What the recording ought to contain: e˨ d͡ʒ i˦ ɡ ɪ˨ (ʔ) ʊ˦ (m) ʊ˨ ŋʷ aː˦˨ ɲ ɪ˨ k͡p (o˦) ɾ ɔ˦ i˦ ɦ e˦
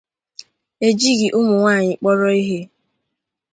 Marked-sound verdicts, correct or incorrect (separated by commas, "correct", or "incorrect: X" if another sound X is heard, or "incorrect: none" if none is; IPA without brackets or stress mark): correct, correct, incorrect: ɔ˦